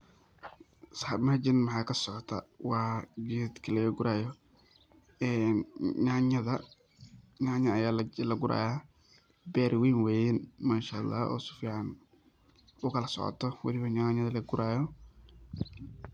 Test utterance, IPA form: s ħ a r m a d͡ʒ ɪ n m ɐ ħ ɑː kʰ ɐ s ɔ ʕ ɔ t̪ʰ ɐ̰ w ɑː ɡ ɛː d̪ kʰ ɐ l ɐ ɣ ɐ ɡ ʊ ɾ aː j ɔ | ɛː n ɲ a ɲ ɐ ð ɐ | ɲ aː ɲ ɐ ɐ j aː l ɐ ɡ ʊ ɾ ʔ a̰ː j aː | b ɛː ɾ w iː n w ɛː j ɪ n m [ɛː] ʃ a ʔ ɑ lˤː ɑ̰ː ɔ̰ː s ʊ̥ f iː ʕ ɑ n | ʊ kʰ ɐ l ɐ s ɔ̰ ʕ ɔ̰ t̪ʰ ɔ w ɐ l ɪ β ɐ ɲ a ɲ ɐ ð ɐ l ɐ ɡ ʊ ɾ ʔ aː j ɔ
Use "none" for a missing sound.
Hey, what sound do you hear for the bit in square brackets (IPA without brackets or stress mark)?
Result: aː